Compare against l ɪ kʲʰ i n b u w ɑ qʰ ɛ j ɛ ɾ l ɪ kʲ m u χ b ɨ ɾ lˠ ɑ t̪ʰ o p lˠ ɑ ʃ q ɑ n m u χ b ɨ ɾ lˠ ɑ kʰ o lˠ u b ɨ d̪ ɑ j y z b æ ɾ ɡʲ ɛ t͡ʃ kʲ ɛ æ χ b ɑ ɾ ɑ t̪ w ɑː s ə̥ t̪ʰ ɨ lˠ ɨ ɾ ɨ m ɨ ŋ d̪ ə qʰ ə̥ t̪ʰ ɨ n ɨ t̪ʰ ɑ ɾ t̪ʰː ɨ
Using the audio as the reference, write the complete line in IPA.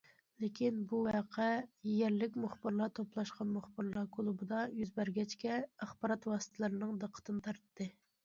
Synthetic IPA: l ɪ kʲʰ i n b u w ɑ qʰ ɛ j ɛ ɾ l ɪ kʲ m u χ b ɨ ɾ lˠ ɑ t̪ʰ o p lˠ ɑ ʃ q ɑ n m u χ b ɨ ɾ lˠ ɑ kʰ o lˠ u b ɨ d̪ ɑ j y z b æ ɾ ɡʲ ɛ t͡ʃ kʲ ɛ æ χ b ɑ ɾ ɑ t̪ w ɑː s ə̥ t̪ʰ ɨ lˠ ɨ ɾ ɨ n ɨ ŋ d̪ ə qʰ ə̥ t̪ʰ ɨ n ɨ t̪ʰ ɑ ɾ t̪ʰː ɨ